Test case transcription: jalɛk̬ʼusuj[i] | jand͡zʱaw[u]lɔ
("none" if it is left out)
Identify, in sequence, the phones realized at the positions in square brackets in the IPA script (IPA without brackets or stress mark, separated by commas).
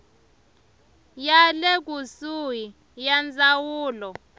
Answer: i, uː